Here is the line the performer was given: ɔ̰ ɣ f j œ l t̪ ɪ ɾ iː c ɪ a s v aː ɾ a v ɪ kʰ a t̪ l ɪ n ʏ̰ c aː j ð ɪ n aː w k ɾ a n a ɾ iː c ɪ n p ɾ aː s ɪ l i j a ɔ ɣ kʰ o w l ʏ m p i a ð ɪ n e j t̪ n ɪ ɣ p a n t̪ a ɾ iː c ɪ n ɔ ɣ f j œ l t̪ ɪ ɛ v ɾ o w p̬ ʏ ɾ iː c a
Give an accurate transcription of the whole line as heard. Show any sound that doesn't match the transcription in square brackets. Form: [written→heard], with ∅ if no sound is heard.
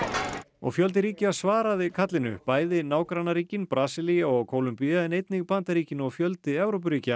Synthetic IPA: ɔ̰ ɣ f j œ l t̪ ɪ ɾ iː c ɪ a s v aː ɾ a [v→ð] ɪ kʰ a t̪ l ɪ n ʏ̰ [c→p] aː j ð ɪ n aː w k ɾ a n a ɾ iː c ɪ n p ɾ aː s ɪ l i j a ɔ ɣ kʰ o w l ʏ m p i a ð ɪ n e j t̪ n ɪ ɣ p a n t̪ a ɾ iː c ɪ n ɔ ɣ f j œ l t̪ ɪ ɛ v ɾ o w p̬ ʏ ɾ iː c a

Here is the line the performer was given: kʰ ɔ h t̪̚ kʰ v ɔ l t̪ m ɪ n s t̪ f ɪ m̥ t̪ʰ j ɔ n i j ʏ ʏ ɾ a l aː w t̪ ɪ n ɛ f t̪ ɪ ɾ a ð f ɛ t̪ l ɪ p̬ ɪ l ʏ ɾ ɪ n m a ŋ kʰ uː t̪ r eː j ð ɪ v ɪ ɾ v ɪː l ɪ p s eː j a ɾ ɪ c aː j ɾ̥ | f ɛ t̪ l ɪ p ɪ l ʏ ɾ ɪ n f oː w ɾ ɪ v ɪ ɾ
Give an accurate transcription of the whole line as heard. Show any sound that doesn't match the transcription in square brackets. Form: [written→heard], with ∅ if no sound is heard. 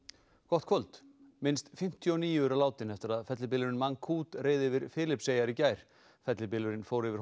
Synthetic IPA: kʰ ɔ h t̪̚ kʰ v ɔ l t̪ m ɪ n s t̪ f ɪ m̥ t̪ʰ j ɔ n [i→iː] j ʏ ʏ ɾ a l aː w t̪ ɪ n ɛ f t̪ ɪ ɾ a ð f ɛ t̪ l ɪ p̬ ɪ l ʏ ɾ ɪ n m a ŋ kʰ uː t̪ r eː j ð ɪ v ɪ ɾ [v→f] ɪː l ɪ p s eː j a ɾ ɪ c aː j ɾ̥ | f ɛ t̪ l ɪ p ɪ l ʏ ɾ ɪ n f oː w ɾ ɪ v ɪ ɾ

